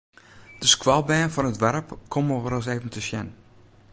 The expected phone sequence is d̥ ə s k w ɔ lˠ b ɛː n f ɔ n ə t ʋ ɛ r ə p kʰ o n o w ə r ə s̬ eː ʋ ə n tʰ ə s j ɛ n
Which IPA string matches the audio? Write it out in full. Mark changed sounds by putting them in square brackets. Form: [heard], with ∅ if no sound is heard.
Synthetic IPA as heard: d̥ ə s k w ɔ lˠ b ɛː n f ɔ n ə t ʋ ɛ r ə p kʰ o [m] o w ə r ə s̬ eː [v] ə n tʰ ə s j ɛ n